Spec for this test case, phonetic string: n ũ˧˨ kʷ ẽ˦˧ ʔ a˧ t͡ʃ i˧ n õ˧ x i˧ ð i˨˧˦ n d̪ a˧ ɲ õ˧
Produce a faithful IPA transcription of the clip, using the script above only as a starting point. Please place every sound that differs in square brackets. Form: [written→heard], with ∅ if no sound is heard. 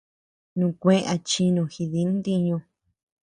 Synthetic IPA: n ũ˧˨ kʷ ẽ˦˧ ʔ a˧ t͡ʃ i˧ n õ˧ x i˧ ð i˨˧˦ n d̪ [a˧→i˧] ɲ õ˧